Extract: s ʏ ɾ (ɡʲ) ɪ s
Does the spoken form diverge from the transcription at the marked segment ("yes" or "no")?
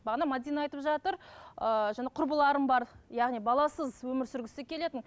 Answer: no